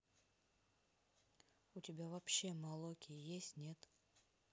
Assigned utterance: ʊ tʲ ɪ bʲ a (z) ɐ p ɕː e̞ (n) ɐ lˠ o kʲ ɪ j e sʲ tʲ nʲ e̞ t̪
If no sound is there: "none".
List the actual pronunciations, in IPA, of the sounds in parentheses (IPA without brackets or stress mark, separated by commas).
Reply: v, m